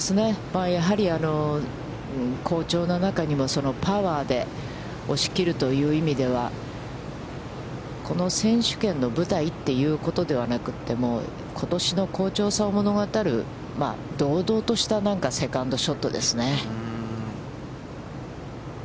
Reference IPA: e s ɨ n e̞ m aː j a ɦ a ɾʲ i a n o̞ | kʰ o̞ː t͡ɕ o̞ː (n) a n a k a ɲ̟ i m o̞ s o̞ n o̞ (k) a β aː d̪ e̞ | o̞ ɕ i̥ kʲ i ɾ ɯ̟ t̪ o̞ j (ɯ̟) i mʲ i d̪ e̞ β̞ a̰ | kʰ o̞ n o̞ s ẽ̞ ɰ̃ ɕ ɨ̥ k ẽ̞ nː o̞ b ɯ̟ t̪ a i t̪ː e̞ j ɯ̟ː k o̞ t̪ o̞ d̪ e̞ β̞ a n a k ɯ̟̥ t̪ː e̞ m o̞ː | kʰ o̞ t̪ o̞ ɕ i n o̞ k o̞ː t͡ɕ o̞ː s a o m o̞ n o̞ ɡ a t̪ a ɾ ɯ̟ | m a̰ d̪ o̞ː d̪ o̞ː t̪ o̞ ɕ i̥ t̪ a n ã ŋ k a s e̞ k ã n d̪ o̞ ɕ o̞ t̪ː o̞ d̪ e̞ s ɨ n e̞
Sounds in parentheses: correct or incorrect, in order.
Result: correct, incorrect: p, incorrect: ɯ̟ː

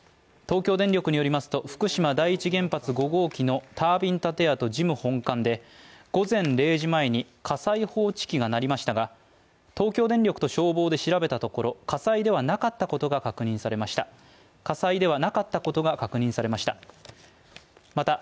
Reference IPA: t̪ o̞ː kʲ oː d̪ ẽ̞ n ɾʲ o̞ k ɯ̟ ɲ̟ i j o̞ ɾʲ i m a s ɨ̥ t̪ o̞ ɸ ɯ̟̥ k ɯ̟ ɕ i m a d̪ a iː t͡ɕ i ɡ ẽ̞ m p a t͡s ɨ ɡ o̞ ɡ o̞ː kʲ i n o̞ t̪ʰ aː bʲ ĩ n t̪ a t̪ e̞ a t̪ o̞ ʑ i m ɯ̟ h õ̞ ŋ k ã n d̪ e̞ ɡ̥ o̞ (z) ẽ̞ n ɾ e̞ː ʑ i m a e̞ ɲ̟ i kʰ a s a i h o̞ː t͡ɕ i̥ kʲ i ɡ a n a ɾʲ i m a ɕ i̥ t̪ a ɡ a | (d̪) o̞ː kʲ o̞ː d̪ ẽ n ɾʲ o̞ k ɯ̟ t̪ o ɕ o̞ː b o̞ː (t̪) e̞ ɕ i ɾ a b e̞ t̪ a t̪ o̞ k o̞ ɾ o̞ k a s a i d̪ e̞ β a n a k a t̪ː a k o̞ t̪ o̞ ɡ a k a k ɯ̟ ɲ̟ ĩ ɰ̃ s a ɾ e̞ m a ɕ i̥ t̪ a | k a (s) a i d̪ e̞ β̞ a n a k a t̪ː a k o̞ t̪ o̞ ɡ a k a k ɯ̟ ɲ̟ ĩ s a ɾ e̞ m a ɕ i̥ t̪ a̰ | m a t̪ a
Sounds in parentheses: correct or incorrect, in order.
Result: correct, incorrect: t̪, incorrect: d̪, correct

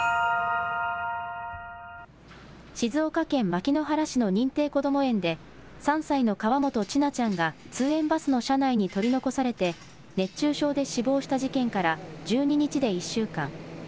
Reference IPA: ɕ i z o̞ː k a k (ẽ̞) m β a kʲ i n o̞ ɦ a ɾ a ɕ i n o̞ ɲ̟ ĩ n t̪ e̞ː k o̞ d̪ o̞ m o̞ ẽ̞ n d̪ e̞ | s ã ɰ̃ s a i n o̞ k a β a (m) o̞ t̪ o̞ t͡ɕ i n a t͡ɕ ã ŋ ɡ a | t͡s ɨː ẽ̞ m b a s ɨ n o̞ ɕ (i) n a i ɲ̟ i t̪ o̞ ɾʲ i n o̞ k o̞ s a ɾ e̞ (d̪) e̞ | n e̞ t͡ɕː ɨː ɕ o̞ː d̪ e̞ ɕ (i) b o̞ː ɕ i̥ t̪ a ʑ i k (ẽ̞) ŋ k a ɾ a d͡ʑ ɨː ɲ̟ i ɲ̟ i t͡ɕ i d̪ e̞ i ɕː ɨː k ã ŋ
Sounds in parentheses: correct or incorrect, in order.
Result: correct, correct, incorrect: a, incorrect: t̪, correct, correct

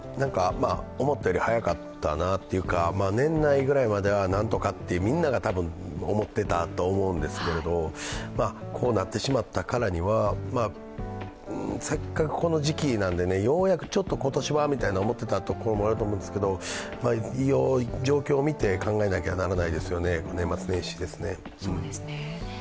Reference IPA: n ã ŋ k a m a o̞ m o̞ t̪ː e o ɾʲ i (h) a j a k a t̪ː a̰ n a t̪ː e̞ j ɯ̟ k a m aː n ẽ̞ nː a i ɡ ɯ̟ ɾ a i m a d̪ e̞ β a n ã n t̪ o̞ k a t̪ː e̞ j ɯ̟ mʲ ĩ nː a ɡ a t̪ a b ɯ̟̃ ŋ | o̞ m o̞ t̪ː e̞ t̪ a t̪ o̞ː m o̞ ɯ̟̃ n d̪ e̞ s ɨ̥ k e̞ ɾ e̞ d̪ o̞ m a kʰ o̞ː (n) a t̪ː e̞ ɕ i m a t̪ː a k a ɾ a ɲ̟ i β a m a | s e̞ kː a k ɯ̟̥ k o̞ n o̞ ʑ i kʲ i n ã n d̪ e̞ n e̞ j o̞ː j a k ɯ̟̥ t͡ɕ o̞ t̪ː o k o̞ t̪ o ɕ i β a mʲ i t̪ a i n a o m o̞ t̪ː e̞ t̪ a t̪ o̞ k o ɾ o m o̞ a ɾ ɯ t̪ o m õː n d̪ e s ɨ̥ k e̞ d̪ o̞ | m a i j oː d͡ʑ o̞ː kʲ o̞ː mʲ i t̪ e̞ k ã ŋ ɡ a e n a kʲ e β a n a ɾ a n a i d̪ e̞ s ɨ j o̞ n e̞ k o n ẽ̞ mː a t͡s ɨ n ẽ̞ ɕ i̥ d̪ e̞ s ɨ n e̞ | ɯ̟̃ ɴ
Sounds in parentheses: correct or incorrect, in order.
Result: correct, correct

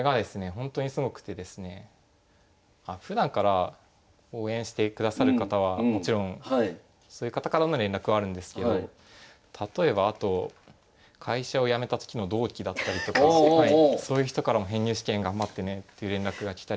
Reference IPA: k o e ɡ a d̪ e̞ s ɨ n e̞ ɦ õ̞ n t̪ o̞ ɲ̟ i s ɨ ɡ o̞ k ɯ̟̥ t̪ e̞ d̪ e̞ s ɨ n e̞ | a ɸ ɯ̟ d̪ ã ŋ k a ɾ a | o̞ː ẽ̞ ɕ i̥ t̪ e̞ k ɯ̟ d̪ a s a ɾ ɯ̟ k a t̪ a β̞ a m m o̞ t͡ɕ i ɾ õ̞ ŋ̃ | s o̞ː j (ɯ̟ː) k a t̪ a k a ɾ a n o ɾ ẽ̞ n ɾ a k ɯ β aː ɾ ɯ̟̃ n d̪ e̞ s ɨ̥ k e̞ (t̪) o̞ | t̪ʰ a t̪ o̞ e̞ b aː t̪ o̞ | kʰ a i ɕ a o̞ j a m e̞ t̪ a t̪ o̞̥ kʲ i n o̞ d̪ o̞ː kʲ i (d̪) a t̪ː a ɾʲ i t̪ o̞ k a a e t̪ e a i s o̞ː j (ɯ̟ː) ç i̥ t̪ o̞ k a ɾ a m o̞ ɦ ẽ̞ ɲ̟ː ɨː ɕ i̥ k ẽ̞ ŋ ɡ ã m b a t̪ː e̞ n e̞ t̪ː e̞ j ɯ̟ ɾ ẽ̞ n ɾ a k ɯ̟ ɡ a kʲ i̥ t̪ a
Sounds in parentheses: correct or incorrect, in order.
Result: incorrect: ɯ̟, incorrect: d̪, correct, incorrect: ɯ̟

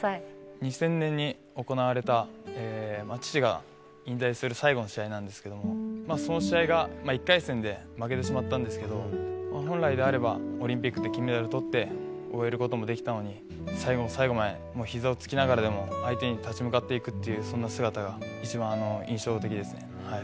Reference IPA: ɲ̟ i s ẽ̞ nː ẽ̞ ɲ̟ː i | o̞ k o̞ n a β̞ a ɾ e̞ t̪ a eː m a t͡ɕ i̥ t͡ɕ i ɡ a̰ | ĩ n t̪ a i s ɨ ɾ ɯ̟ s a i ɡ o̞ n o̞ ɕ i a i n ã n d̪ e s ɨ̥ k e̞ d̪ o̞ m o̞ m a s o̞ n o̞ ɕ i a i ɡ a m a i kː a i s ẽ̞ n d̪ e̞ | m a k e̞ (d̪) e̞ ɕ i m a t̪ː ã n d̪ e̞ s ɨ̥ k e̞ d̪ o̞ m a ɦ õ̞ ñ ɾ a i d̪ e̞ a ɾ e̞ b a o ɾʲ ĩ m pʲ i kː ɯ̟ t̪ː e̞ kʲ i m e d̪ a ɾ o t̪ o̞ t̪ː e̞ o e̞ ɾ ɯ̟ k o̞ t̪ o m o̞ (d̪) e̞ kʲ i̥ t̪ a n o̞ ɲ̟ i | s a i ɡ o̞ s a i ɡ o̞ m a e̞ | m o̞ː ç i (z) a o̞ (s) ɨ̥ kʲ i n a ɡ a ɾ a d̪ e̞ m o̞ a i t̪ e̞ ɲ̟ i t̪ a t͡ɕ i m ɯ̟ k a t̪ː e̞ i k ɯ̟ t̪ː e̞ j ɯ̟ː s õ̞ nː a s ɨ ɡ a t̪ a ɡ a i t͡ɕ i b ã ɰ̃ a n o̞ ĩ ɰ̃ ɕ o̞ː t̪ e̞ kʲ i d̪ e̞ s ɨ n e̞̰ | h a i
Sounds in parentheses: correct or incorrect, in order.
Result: incorrect: t̪, correct, correct, incorrect: t͡s

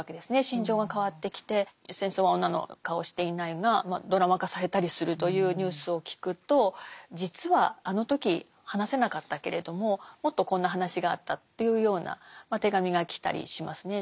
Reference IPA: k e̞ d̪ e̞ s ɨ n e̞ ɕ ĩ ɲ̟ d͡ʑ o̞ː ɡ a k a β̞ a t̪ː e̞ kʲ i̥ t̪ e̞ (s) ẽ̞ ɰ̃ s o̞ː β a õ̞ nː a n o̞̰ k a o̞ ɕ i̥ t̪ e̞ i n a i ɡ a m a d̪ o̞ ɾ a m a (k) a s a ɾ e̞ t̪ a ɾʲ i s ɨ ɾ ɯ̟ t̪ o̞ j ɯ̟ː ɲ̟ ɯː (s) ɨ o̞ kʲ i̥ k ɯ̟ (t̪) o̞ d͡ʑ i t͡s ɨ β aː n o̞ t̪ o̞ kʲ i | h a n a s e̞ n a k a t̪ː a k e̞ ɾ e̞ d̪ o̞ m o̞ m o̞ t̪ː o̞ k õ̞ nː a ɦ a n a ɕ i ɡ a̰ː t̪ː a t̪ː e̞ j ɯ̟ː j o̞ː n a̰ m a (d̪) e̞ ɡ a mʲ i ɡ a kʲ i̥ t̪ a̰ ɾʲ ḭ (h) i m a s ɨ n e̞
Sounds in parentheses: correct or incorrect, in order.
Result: correct, correct, correct, correct, incorrect: t̪, incorrect: ɕ

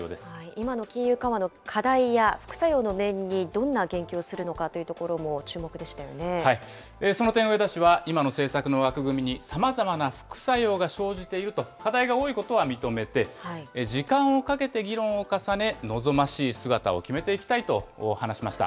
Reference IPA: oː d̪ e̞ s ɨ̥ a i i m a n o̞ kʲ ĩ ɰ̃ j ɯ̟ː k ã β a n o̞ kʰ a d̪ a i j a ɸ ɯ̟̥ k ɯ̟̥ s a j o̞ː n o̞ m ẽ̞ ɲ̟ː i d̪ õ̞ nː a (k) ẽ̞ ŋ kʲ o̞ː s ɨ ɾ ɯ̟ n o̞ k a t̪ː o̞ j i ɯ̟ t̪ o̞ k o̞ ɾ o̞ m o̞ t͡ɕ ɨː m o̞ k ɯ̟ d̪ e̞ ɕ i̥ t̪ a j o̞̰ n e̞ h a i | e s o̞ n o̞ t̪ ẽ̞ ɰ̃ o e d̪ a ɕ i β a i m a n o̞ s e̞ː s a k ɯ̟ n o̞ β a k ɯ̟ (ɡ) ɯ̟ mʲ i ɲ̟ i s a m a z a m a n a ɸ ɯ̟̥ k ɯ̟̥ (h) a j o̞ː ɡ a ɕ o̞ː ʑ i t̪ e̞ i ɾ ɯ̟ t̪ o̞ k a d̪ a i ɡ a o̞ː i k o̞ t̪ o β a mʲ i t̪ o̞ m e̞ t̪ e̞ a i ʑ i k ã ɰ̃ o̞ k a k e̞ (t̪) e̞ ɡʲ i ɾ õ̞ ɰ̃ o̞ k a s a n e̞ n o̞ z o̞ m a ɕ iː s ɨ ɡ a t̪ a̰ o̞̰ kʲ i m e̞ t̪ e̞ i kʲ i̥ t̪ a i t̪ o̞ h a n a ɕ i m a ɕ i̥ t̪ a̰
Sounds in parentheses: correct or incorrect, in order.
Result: incorrect: ɡ, correct, incorrect: s, correct

